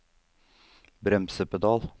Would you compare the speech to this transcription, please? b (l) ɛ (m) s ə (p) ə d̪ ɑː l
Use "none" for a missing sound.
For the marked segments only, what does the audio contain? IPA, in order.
ɾ, m, p

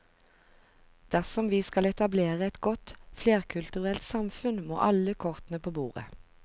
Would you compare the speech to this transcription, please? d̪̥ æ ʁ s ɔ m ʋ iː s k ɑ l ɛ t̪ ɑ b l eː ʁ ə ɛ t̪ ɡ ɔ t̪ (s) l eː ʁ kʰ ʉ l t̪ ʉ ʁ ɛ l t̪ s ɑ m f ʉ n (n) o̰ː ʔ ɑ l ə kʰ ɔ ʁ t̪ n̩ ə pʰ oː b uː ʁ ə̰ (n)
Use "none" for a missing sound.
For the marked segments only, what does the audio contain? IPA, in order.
f, m, none

